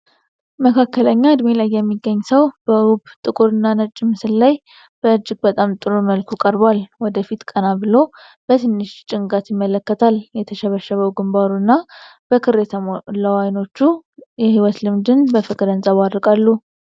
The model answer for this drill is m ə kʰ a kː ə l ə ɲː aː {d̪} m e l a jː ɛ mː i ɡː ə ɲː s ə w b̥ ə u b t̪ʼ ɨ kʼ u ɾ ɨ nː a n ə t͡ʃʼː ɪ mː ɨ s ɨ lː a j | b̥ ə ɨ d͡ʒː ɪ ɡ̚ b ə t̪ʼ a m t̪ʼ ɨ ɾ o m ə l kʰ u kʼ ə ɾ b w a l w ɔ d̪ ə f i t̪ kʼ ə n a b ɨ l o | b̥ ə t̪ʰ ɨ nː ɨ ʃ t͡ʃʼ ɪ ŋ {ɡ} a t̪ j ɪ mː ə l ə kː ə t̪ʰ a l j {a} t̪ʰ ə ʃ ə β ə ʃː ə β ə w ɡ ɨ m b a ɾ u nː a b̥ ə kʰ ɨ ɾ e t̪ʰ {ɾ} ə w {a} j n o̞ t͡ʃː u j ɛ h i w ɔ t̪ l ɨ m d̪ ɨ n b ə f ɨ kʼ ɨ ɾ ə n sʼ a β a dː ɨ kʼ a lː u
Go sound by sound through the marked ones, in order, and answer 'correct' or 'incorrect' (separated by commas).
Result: correct, correct, incorrect, incorrect, correct